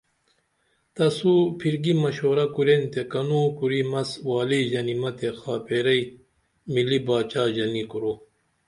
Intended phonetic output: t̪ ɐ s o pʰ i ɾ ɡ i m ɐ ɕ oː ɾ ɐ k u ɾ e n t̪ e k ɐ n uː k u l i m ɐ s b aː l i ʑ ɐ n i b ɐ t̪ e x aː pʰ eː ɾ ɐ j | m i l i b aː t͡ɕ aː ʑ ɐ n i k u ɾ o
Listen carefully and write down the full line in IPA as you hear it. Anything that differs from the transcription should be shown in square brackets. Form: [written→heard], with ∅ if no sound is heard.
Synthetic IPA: t̪ ɐ s [o→u] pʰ i ɾ ɡ i m ɐ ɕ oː ɾ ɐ k u ɾ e n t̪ e k ɐ n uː k u [l→ɾ] i m ɐ s [b→w] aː l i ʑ ɐ n i [b→m] ɐ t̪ e x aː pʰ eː ɾ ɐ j | m i l i b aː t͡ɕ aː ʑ ɐ n i k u ɾ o